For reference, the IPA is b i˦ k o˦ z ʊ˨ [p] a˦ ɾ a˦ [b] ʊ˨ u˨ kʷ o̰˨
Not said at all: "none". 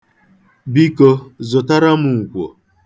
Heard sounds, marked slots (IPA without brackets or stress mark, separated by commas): t, m